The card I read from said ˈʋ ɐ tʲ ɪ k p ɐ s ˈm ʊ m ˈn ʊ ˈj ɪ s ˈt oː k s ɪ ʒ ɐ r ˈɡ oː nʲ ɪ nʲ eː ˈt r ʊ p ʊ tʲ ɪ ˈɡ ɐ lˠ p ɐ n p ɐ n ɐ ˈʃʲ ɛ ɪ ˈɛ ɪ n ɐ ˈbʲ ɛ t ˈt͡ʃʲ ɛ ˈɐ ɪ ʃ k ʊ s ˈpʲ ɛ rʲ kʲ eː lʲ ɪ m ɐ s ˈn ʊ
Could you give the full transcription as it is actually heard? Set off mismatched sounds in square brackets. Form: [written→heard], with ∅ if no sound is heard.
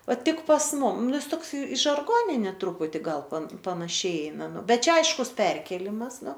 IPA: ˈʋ ɐ tʲ ɪ k p ɐ s ˈm ʊ m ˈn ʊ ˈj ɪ s ˈt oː k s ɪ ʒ ɐ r ˈɡ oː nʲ ɪ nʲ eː ˈt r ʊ p ʊ tʲ ɪ ˈɡ ɐ lˠ p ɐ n p ɐ n ɐ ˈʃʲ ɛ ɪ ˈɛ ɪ n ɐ ˈbʲ ɛ t ˈt͡ʃʲ ɛ ˈɐ ɪ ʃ k ʊ s ˈpʲ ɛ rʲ kʲ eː lʲ ɪ m ɐ s ˈn ʊ